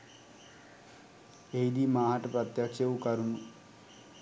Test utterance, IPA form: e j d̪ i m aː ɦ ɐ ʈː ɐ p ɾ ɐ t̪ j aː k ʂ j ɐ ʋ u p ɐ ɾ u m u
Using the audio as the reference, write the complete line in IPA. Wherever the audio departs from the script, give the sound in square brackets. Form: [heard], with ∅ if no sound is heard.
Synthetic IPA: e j d̪ i m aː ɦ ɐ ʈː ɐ p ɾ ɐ t̪ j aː k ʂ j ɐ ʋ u [k] ɐ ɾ u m u